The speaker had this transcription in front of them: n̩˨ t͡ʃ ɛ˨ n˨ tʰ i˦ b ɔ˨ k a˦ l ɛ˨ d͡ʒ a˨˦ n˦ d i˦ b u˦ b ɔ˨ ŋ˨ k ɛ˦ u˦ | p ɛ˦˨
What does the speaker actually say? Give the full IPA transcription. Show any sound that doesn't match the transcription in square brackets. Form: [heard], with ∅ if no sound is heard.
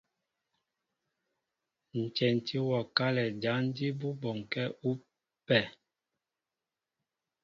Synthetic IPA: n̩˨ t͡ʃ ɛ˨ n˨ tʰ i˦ [w] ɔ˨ k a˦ l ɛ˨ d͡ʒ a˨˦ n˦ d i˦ b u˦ b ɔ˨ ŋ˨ k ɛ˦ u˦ | p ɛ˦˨